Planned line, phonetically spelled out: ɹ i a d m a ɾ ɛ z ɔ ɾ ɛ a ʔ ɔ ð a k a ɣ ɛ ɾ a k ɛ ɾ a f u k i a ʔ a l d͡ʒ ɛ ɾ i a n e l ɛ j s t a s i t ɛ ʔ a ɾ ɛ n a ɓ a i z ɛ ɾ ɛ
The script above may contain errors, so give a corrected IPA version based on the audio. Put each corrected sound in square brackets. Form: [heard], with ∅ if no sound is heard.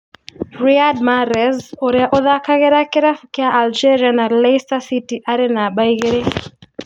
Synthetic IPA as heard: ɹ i a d m a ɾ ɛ z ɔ ɾ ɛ a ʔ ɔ ð a k a ɣ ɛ ɾ a k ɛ ɾ a f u k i a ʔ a l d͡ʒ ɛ ɾ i a n [a] l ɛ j s t a s i t [i] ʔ a ɾ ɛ n a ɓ a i [ɣ] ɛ ɾ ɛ